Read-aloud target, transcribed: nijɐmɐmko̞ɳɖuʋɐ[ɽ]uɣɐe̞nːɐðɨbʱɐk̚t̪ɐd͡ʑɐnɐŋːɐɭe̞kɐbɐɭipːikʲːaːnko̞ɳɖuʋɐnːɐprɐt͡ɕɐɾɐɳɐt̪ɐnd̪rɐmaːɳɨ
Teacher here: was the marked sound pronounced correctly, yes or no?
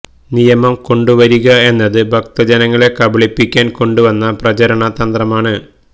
no